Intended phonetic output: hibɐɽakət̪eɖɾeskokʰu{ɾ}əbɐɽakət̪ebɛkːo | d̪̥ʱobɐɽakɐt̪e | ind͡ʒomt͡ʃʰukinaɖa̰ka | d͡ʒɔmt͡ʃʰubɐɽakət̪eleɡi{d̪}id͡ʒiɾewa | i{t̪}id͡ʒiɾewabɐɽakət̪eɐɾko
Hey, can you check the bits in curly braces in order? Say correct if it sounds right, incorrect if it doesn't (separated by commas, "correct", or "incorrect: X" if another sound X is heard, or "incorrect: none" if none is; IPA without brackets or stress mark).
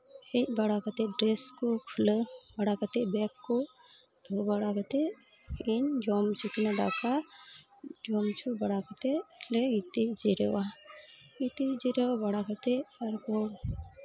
incorrect: l, incorrect: t̪, correct